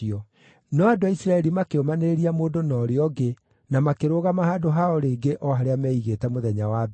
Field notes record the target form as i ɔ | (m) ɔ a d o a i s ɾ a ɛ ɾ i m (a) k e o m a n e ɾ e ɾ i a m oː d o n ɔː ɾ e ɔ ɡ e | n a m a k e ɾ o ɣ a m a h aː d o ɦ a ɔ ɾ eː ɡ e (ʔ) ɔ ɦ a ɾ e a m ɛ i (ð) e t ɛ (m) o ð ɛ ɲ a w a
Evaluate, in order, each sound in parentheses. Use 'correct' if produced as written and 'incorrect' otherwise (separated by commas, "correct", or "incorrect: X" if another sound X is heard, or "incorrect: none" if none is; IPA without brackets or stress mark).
incorrect: n, correct, correct, incorrect: ɣ, correct